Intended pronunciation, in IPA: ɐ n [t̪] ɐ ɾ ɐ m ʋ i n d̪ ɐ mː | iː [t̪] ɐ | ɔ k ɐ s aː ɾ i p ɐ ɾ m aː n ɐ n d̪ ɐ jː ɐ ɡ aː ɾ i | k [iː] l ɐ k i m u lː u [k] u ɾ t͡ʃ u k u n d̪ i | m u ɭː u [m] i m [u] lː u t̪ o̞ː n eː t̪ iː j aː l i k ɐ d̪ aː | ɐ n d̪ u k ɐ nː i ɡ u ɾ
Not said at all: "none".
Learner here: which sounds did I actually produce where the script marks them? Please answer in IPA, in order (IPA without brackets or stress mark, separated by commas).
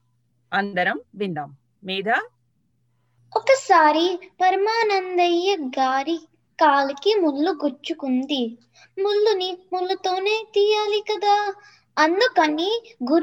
d̪, d̪, aː, ɡ, n, u